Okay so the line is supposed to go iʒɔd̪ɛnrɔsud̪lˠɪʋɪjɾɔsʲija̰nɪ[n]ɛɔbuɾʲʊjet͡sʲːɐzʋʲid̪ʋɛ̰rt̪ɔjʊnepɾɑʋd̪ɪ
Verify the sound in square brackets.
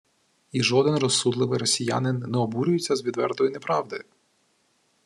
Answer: incorrect: nː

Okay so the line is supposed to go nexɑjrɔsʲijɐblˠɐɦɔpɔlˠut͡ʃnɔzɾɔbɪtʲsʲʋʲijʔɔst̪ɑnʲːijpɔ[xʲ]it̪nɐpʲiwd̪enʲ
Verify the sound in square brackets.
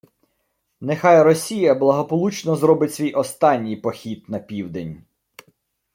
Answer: correct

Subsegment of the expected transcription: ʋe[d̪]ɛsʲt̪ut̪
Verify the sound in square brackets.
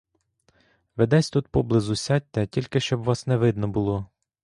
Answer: correct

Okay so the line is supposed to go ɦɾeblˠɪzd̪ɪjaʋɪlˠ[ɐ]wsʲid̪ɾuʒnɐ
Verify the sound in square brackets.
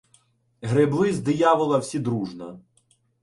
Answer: correct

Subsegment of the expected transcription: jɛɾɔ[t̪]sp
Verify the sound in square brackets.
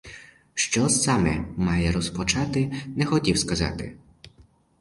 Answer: incorrect: none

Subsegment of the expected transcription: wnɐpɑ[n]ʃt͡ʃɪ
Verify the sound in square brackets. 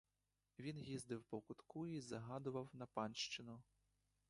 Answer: correct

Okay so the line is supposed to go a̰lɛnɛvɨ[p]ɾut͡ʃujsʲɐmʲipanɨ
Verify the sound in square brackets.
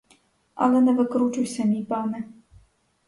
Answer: incorrect: k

